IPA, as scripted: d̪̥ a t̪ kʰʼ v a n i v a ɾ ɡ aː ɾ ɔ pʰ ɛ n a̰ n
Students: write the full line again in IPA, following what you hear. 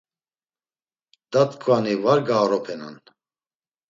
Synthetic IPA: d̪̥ a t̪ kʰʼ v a n i v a ɾ ɡ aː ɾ ɔ pʰ ɛ n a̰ n